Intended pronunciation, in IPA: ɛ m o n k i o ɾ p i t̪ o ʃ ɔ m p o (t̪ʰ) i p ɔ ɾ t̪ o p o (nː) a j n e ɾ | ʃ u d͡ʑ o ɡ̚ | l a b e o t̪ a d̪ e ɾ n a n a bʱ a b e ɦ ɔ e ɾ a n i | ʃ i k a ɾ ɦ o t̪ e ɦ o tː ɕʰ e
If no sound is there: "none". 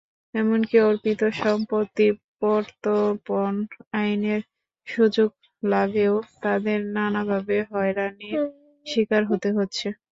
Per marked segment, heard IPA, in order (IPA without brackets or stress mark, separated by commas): t̪, n